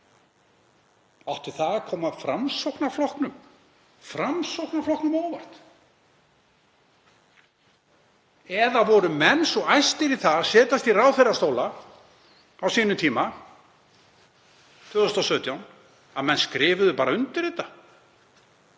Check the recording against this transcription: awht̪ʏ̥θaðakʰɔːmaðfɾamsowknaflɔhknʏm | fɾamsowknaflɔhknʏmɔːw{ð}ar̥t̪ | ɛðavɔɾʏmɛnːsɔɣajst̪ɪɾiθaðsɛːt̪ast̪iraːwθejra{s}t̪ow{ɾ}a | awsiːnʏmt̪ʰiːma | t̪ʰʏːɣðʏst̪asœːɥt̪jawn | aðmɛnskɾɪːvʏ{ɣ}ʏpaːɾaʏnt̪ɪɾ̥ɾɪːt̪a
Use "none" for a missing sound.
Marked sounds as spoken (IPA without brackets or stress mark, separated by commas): v, s, l, ð